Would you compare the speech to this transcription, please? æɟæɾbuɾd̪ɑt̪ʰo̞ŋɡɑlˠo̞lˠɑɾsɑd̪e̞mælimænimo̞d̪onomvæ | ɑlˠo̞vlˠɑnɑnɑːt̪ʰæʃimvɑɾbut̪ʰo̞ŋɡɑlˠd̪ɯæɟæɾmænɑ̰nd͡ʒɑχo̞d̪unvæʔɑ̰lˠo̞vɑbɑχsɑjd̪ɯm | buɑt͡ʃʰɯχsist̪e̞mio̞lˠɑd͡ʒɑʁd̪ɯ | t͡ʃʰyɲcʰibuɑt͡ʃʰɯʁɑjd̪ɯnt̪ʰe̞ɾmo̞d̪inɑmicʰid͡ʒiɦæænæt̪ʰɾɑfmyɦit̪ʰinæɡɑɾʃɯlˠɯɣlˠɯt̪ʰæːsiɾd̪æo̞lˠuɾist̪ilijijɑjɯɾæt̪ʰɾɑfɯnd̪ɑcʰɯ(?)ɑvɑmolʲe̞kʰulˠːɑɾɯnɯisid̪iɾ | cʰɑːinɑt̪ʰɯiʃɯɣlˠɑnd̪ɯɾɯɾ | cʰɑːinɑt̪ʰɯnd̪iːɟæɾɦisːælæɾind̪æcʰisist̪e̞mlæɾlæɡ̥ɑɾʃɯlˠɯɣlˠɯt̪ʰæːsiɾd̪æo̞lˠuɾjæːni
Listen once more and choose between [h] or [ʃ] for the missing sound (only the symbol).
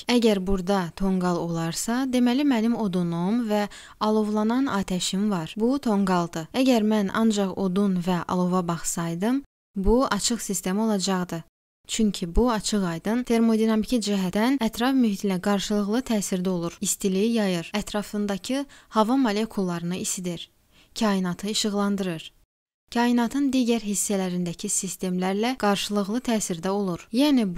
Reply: h